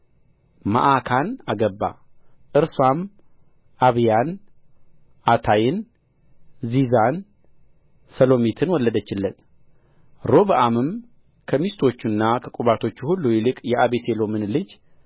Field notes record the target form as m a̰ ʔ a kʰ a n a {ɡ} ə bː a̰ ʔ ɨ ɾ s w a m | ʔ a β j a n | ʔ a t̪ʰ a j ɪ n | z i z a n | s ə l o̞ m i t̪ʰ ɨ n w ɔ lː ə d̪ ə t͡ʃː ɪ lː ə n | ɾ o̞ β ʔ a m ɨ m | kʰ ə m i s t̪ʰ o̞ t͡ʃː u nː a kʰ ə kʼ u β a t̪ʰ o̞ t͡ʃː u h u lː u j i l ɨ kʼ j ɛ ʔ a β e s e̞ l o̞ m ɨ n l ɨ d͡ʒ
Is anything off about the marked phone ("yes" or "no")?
no